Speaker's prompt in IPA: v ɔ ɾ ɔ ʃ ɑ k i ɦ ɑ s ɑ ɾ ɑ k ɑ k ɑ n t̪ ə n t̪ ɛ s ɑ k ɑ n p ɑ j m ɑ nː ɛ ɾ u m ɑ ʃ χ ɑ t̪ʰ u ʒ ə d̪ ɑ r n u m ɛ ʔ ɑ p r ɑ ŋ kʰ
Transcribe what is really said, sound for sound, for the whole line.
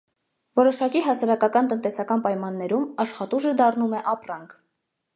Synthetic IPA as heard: v ɔ ɾ ɔ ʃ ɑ k i ɦ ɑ s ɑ ɾ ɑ k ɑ k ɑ n t̪ ə n t̪ ɛ s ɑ k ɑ n p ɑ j m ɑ nː ɛ ɾ u m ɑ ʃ χ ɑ t̪ u ʒ ə d̪ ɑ r n u m ɛ ʔ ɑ p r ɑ ŋ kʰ